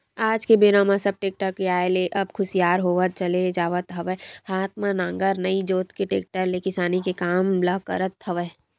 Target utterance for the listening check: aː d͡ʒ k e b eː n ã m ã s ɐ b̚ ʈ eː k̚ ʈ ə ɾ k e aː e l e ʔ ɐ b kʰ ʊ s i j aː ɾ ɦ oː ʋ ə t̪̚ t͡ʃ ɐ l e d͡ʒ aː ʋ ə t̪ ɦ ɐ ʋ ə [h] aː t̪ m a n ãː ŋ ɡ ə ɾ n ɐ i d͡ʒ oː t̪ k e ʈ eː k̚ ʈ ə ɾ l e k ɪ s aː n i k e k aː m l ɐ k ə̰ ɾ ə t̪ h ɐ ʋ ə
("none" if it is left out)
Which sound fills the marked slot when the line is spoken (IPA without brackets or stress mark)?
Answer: h